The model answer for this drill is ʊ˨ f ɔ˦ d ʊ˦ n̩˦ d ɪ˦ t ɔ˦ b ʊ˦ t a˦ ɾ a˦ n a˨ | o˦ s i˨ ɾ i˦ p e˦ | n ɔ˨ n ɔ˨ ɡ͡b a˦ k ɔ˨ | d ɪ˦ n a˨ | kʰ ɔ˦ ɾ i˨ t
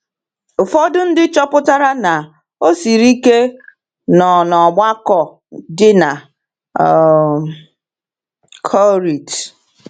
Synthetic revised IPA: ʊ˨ f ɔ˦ d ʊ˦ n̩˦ d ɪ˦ t͡ʃ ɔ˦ p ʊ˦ t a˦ ɾ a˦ n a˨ | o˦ s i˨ ɾ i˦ k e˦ | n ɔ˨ n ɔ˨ ɡ͡b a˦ k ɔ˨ | d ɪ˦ n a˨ | kʰ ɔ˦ ɾ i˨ t

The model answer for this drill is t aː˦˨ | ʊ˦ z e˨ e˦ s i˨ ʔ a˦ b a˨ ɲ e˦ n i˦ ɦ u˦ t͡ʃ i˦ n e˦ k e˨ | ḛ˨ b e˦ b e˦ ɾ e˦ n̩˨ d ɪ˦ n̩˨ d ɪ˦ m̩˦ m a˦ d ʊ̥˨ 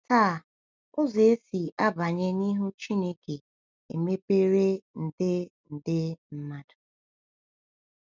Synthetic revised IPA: t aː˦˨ | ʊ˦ z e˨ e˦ s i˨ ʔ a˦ b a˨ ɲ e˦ n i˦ ɦ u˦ t͡ʃ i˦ n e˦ k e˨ | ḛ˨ m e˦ p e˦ ɾ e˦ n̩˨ d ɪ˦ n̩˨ d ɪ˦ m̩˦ m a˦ d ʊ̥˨

